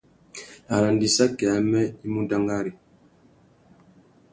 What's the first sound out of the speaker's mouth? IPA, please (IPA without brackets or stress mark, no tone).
a